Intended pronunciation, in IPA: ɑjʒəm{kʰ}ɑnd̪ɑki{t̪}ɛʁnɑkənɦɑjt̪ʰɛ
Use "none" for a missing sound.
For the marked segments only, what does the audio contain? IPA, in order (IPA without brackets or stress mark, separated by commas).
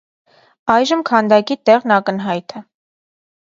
kʰ, t̪